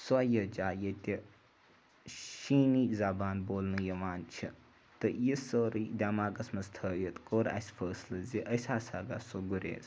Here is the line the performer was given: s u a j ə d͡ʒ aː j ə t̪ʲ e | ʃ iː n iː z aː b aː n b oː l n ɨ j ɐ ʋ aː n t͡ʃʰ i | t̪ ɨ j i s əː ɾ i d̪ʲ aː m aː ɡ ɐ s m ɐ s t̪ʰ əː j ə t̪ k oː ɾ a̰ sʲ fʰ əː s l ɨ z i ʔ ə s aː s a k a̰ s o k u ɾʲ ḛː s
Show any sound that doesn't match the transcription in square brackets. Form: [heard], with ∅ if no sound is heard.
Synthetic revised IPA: s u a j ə d͡ʒ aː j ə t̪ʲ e | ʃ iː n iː z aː b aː n b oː l n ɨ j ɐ ʋ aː n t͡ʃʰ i | t̪ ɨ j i s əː ɾ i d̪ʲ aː m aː ɡ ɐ s m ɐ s t̪ʰ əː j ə t̪ k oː ɾ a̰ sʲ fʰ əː s l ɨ z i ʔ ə s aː s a [ɡ] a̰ s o [ɡ] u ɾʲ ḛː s